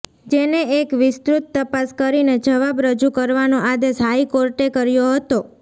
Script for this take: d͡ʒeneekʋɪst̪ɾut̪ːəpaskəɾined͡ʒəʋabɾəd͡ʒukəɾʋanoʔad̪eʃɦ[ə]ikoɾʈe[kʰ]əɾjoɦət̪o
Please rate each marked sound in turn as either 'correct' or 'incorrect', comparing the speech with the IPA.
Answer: incorrect, incorrect

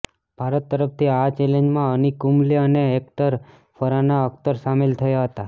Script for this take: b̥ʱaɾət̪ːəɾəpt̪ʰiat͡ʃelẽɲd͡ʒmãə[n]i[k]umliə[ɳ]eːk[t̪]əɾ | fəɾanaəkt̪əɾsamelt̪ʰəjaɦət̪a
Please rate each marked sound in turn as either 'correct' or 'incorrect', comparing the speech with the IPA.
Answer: correct, correct, incorrect, correct

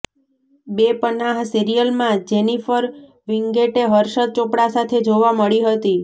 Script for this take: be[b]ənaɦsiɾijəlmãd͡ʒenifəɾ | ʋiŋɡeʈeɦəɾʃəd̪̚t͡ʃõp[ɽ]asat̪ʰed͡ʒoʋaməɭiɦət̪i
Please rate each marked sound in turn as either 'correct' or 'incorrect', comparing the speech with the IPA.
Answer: incorrect, correct

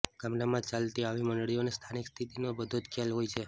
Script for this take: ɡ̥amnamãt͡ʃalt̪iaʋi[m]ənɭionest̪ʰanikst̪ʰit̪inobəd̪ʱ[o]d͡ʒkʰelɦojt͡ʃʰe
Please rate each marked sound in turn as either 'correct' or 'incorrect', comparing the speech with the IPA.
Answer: correct, correct

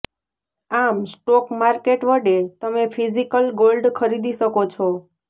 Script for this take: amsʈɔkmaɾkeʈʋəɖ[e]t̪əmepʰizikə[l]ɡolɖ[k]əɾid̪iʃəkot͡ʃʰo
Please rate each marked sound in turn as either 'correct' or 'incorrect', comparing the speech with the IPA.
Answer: correct, correct, incorrect

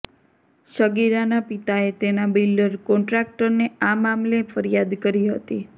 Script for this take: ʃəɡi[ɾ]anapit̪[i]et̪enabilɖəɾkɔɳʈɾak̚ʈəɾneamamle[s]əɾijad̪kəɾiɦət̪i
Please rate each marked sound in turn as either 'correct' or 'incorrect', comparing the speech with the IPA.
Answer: correct, incorrect, incorrect

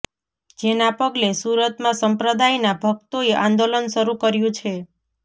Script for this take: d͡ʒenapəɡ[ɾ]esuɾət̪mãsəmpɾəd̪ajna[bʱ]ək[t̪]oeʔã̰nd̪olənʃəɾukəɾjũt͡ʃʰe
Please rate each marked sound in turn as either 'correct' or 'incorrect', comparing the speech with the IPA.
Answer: incorrect, correct, correct

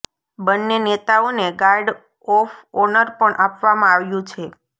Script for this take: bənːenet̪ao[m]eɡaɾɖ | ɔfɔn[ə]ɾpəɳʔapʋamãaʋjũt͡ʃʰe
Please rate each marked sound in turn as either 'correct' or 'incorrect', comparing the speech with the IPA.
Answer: incorrect, correct

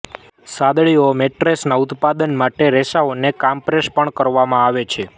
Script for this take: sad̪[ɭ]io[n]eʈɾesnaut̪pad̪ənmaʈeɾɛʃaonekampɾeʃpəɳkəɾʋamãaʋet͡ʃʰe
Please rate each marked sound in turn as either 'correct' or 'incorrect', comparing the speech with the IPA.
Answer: correct, incorrect

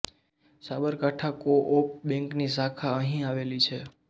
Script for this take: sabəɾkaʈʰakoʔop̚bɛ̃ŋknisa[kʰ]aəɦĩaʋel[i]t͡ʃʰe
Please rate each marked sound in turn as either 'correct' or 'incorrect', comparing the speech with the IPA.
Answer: correct, correct

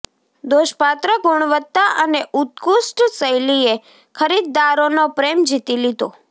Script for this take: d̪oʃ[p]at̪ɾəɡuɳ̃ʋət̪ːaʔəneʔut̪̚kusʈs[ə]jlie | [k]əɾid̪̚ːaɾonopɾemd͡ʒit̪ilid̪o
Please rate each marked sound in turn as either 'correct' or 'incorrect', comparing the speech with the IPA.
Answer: correct, correct, incorrect

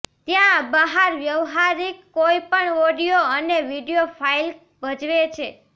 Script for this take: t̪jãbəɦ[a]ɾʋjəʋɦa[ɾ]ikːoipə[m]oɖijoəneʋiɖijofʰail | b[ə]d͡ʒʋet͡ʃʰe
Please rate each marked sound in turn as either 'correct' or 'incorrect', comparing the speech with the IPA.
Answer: correct, correct, incorrect, correct

